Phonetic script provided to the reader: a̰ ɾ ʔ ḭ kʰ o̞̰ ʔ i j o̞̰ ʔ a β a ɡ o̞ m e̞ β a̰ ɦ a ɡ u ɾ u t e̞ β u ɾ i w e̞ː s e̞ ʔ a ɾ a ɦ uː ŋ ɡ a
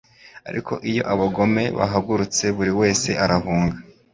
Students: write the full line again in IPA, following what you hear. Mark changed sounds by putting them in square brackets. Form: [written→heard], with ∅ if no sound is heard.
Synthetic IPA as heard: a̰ ɾ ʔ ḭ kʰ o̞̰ ʔ i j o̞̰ ʔ a β a ɡ o̞ m e̞ β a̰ ɦ a ɡ u ɾ u [t→t͡s] e̞ β u ɾ i w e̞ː s e̞ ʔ a ɾ a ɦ uː ŋ ɡ a